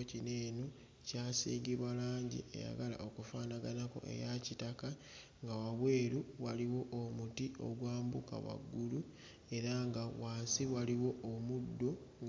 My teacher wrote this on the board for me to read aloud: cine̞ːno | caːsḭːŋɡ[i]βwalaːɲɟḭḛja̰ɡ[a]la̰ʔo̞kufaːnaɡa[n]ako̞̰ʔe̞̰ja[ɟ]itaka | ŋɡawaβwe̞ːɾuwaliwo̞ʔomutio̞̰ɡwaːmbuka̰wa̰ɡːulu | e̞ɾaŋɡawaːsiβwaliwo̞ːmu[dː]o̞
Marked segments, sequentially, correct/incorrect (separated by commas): correct, correct, correct, incorrect, correct